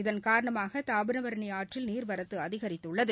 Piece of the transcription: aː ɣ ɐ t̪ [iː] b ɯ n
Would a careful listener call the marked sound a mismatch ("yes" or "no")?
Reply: yes